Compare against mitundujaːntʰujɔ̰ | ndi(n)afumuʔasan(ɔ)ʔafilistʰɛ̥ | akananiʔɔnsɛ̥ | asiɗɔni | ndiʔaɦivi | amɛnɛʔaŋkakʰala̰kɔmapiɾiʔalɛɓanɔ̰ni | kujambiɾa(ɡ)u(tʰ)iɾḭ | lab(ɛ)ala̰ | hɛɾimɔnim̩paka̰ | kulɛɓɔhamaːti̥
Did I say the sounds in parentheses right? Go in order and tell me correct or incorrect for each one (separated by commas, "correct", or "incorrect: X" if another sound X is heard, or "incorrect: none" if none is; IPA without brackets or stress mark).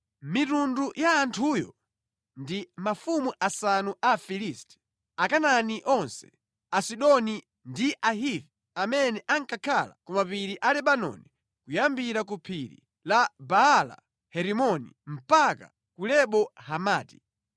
incorrect: m, incorrect: u, incorrect: k, incorrect: pʰ, incorrect: a